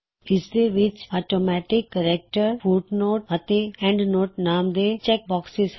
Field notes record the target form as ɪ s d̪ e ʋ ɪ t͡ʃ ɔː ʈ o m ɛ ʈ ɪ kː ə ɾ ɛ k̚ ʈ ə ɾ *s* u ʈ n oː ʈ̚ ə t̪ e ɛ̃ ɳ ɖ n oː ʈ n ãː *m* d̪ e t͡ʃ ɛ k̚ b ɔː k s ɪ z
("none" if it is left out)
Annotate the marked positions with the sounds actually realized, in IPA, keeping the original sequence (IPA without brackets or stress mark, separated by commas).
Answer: f, m